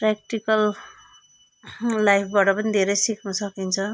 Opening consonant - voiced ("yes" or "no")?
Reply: no